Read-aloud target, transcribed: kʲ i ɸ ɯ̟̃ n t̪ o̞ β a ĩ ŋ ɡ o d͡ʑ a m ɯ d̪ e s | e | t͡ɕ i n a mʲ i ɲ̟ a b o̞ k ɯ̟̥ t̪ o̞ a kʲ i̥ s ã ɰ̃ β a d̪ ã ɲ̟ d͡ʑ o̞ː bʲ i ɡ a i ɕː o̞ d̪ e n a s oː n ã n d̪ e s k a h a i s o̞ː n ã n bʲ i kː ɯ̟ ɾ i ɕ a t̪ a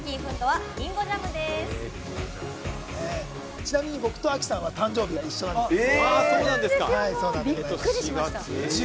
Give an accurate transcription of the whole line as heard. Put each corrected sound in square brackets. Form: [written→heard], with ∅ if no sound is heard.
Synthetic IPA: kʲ i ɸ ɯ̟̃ n t̪ o̞ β a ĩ ŋ ɡ o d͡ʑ a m ɯ d̪ e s | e | t͡ɕ i n a mʲ i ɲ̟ [a→i] b o̞ k ɯ̟̥ t̪ o̞ a kʲ i̥ s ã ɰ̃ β a [d̪→t̪] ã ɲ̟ d͡ʑ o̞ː bʲ i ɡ a i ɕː o̞ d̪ [e→a] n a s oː n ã n d̪ e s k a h a i s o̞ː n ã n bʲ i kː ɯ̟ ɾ i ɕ a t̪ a